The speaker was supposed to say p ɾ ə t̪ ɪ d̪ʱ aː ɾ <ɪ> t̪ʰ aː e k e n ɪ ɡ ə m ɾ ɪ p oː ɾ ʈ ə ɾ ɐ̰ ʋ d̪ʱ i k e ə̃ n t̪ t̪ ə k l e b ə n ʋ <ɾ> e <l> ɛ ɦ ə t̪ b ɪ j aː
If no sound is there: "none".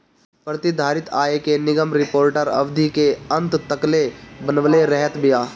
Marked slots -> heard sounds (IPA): ɪ, l, ɾ

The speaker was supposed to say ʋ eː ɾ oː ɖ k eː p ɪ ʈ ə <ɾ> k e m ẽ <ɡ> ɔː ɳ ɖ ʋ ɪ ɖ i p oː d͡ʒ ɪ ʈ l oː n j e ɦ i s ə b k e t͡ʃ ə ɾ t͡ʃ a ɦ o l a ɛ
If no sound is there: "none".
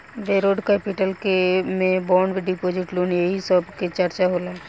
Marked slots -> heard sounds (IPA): l, b

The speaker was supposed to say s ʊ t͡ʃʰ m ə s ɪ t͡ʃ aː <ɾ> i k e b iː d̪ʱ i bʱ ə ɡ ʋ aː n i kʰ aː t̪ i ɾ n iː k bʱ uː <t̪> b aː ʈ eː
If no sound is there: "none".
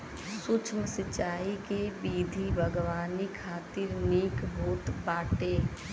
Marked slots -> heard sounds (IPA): none, t̪

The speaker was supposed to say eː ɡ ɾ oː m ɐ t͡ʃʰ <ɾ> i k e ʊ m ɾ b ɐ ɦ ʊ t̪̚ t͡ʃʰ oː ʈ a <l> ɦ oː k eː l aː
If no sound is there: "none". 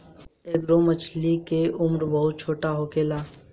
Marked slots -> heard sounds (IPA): l, none

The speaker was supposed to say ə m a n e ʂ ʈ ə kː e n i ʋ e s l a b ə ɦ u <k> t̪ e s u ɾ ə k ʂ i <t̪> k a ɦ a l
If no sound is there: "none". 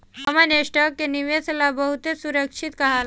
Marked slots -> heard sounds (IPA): none, t̪

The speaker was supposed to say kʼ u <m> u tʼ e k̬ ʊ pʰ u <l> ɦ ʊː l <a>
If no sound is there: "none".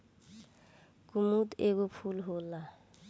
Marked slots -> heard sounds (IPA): m, l, a

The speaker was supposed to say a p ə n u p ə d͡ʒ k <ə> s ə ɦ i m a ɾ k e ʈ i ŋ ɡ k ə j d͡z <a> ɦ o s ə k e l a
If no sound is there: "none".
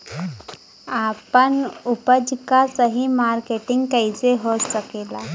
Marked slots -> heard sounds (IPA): a, e

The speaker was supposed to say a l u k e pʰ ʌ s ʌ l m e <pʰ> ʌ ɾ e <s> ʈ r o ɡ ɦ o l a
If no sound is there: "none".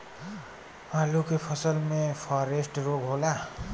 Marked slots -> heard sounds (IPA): pʰ, s

